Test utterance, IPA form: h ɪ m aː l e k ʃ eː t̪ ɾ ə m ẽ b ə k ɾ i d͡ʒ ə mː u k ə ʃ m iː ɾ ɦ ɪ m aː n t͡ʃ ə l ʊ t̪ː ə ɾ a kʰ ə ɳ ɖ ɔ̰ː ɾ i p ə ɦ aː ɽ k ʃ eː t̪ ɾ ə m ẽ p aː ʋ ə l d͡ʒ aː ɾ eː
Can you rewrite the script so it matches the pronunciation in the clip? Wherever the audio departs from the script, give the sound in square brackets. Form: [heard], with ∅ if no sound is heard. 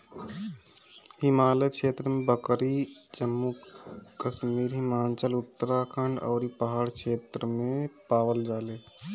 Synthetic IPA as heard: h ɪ m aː l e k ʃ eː t̪ ɾ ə m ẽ b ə k ɾ i d͡ʒ ə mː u k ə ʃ m iː ɾ ɦ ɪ m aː n t͡ʃ ə l ʊ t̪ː ə ɾ a kʰ ə ɳ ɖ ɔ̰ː ɾ i p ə ɦ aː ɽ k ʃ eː t̪ ɾ ə m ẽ p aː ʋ ə l d͡ʒ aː [l] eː